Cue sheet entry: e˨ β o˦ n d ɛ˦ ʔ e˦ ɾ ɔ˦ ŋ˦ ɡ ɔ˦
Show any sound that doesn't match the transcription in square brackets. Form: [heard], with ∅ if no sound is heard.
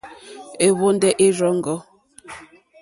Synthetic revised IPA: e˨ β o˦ n d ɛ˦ ʔ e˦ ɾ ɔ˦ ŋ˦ ɡ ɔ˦